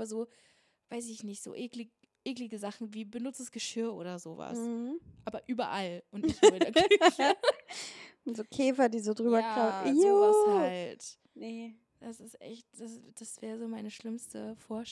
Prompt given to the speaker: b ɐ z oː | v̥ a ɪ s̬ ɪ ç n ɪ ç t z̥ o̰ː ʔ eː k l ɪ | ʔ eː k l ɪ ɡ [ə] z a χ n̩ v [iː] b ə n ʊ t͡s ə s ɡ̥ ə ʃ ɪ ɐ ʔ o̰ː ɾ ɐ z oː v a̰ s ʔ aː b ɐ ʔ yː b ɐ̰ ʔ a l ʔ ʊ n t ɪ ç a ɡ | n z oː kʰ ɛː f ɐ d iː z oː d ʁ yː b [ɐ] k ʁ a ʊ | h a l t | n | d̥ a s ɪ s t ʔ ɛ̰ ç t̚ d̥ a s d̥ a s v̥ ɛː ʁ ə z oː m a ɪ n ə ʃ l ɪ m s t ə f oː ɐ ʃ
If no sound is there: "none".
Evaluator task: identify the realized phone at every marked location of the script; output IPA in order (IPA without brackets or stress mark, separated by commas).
ə, iː, ɐ